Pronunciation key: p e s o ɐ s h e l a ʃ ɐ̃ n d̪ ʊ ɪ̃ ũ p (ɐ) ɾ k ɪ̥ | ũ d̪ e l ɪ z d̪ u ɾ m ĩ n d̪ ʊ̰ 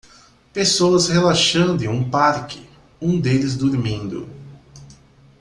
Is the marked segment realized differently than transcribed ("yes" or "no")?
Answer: yes